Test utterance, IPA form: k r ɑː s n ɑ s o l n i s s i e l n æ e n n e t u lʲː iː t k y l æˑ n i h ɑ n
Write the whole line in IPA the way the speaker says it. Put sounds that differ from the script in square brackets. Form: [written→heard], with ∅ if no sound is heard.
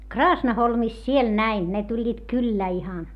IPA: k r ɑː s n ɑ [s→h] o l [n→m] i s s i e l n æ [e→i] n n e t u lʲː iː t k y [l→lː] æˑ [n→∅] i h ɑ n